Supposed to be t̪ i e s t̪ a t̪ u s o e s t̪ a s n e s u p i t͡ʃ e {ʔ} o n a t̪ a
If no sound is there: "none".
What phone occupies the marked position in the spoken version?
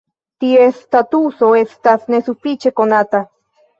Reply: k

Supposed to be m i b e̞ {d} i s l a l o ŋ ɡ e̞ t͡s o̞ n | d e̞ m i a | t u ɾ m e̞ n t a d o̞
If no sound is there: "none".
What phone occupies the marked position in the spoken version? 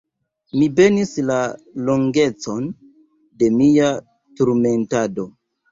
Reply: n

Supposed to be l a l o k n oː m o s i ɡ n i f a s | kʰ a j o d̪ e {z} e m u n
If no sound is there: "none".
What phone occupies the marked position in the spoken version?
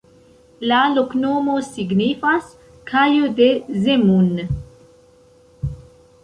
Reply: z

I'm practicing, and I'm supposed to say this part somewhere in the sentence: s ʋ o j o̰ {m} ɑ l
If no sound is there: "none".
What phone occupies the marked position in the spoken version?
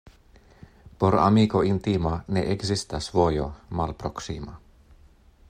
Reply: m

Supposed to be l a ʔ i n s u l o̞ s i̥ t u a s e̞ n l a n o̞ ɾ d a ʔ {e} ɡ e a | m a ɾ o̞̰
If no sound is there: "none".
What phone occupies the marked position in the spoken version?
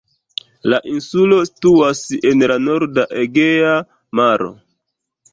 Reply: e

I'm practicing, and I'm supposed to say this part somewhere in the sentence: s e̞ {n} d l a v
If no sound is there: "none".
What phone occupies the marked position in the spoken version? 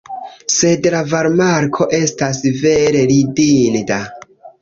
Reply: none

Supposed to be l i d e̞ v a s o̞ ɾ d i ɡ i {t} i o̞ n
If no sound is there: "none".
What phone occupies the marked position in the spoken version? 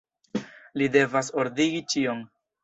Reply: t͡ʃ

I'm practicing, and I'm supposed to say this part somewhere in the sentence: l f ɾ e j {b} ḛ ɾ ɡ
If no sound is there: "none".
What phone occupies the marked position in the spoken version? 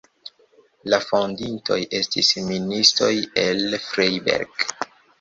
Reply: b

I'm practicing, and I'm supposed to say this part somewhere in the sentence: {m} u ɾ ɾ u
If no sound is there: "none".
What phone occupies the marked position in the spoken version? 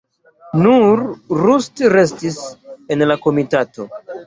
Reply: n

